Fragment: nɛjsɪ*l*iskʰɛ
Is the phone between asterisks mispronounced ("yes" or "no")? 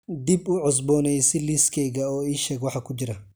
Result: no